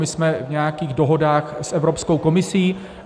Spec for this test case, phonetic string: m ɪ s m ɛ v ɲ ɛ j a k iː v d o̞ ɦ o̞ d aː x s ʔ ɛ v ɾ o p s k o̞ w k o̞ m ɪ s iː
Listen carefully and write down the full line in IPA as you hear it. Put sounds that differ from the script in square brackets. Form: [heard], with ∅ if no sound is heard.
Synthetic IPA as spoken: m ɪ s m ɛ v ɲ ɛ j a k iː [ɣ] d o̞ ɦ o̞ d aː x s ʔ ɛ v ɾ o p s k o̞ w k o̞ m ɪ s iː